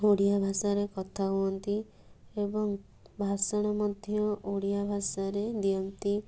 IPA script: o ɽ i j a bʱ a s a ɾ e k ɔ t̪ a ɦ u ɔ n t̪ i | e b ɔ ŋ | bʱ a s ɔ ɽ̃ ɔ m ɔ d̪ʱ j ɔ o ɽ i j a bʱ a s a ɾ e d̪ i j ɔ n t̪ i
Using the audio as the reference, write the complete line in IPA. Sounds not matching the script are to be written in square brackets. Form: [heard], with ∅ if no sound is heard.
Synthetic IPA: o ɽ i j a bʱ a s a ɾ e k ɔ [t̪ʰ] a ɦ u ɔ n t̪ i | e b ɔ ŋ | bʱ a s ɔ ɽ̃ ɔ m ɔ d̪ʱ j ɔ o ɽ i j a bʱ a s a ɾ e d̪ i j ɔ n t̪ i